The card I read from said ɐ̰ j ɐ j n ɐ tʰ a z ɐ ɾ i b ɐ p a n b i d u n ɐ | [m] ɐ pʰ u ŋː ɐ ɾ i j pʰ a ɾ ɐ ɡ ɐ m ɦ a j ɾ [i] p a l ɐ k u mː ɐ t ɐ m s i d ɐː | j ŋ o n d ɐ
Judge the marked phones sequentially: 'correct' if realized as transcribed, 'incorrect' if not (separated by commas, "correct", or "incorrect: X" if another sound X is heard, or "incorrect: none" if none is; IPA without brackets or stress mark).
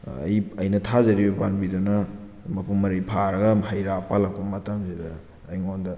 correct, incorrect: a